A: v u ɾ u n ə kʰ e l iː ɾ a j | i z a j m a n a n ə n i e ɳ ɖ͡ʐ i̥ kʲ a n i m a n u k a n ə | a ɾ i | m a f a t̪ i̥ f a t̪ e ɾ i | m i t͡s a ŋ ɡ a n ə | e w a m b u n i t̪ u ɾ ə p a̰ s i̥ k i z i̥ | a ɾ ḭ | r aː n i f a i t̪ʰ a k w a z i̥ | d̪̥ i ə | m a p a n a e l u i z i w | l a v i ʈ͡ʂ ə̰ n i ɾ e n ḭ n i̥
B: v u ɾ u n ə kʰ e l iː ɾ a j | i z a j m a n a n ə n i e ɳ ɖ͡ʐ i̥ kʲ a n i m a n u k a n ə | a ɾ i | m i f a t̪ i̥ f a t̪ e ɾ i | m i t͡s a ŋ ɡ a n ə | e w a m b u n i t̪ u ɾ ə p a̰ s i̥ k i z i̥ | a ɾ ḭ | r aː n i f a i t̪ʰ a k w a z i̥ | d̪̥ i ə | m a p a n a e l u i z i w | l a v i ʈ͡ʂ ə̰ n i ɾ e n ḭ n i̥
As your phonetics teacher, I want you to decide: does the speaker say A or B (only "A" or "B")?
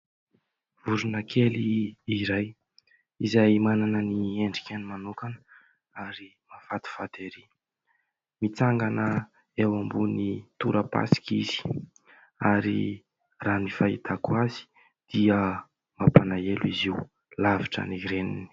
A